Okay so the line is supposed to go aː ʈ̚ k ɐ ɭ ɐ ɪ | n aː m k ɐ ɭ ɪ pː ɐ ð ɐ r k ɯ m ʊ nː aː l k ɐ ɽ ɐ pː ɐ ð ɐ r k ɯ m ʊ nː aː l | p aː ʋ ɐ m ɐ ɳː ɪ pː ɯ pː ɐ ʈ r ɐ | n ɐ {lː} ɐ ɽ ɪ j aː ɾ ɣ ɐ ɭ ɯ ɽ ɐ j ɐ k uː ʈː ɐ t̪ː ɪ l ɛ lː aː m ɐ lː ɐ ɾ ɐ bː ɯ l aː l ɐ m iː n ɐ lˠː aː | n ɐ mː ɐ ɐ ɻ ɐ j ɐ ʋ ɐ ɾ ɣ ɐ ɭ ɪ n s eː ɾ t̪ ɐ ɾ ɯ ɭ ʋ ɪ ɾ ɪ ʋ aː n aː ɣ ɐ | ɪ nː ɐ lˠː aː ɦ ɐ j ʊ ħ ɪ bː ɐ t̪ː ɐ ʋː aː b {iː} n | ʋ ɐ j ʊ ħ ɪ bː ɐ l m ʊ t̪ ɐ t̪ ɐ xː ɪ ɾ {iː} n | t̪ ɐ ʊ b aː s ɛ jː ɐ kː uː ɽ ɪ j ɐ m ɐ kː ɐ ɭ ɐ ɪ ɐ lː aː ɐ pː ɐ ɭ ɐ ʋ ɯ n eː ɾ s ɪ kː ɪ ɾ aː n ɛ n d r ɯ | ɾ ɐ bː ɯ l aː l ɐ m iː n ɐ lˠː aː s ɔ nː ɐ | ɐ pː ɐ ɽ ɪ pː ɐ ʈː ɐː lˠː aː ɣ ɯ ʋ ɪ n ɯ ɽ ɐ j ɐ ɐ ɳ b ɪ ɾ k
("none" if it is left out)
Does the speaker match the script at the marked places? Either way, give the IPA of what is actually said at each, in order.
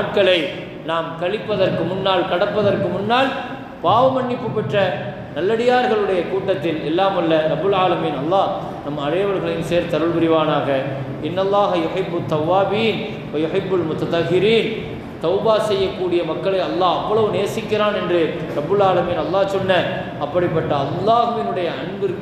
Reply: lː, iː, iː

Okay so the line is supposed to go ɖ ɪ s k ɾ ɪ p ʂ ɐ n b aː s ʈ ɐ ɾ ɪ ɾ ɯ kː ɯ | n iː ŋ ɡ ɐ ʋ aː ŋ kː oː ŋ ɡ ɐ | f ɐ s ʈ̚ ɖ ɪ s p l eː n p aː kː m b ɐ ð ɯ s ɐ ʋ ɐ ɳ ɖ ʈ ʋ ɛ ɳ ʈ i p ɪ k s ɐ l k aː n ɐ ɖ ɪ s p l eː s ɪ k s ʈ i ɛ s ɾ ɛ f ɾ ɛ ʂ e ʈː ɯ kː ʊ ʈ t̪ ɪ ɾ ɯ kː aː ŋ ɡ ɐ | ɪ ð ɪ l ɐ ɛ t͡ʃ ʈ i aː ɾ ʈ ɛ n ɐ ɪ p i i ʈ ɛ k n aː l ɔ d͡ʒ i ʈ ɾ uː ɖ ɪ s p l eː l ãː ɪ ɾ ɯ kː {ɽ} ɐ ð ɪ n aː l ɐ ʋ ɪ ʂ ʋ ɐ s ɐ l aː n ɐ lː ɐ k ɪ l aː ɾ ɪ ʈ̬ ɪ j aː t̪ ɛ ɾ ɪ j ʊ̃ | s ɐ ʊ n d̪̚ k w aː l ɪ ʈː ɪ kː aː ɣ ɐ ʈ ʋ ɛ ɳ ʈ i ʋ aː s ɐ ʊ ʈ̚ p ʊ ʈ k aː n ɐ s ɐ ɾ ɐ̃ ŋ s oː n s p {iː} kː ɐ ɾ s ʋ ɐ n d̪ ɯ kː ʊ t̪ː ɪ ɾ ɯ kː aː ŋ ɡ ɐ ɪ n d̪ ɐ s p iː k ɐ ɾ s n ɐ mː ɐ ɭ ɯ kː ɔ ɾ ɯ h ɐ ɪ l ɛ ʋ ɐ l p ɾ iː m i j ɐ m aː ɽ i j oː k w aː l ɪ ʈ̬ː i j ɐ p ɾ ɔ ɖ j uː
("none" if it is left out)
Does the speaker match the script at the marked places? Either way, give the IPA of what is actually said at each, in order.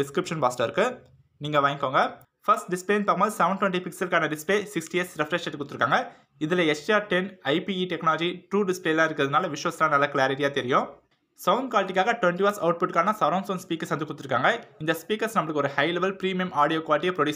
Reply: ɾ, iː

